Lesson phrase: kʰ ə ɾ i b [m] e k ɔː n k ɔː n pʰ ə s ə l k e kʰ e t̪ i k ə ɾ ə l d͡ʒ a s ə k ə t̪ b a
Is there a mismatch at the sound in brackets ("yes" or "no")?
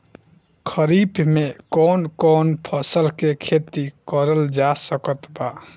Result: no